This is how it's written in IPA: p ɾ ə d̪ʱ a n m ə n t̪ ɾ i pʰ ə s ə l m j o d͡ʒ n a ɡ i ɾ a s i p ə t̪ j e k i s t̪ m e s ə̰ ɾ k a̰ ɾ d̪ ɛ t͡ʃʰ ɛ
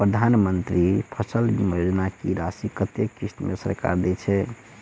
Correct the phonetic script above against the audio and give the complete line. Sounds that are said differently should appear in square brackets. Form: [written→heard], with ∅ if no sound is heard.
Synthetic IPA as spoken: p ɾ ə d̪ʱ a n m ə n t̪ ɾ i pʰ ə s ə l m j o d͡ʒ n a [ɡ→k] i ɾ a s i [p→k] ə t̪ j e k i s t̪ m e s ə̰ ɾ k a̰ ɾ d̪ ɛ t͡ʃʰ ɛ